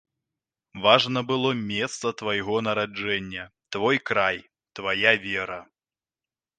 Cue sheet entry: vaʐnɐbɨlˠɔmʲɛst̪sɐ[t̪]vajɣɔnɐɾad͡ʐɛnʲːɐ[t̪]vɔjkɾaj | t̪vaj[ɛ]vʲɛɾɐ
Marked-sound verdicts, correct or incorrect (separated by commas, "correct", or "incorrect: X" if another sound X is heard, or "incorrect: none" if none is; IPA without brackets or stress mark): correct, correct, incorrect: a